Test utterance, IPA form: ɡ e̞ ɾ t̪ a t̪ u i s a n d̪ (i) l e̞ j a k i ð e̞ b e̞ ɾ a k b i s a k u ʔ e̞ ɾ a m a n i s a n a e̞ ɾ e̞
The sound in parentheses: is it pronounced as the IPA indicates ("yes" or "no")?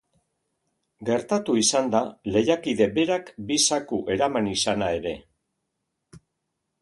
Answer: no